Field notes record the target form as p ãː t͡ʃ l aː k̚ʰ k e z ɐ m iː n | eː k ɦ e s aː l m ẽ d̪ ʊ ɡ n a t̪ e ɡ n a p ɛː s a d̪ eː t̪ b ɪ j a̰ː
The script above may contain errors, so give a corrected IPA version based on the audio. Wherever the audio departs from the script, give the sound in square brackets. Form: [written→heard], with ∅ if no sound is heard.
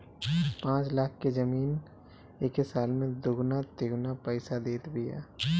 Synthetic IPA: p ãː t͡ʃ l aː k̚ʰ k e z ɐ m iː n | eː k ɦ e s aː l m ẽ d̪ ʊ ɡ n a t̪ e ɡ n a p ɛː s a d̪ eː t̪ b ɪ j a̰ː